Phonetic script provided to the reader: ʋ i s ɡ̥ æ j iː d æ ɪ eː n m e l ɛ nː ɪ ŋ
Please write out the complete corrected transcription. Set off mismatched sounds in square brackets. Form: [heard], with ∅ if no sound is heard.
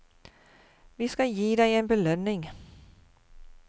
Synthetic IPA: ʋ i s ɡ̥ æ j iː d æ ɪ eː n [b] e l [œ] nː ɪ ŋ